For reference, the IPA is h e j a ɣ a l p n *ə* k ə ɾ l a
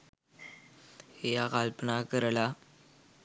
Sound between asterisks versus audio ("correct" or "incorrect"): incorrect